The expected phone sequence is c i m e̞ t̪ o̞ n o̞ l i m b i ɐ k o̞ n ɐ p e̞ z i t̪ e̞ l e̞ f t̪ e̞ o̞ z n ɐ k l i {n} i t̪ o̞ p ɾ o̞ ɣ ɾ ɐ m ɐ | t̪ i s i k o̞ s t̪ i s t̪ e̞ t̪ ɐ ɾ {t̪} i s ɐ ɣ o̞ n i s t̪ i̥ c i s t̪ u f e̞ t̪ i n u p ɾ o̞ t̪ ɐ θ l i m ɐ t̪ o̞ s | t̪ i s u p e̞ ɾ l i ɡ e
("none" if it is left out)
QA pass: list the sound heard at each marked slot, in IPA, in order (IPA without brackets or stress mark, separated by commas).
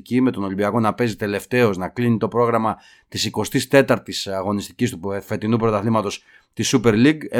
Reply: n, t̪